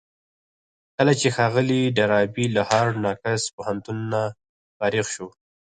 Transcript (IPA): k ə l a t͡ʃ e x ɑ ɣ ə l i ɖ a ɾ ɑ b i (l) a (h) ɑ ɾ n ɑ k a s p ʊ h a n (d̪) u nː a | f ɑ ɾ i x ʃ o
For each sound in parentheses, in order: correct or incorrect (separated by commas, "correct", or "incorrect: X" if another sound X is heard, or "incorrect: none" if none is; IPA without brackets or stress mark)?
correct, correct, incorrect: t̪